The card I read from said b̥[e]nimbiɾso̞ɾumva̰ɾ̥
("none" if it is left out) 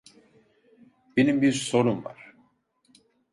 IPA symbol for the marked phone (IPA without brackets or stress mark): e